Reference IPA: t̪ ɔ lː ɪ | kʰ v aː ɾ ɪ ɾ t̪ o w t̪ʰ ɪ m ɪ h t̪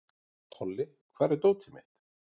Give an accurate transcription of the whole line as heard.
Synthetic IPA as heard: t̪ʰ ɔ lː ɪ | kʰ v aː ɾ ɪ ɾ t̪ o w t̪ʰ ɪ m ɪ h t̪